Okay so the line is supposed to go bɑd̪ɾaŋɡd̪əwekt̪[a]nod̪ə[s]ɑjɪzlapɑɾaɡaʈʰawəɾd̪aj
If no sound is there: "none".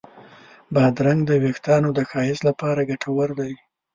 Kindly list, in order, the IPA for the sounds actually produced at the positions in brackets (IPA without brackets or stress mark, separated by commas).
ɑ, x